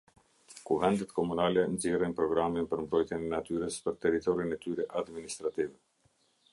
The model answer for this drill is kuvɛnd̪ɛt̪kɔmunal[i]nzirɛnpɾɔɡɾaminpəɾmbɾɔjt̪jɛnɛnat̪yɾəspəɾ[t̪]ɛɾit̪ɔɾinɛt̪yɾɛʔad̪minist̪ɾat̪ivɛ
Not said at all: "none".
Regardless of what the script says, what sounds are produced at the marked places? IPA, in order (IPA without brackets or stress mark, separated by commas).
ɛ, t̪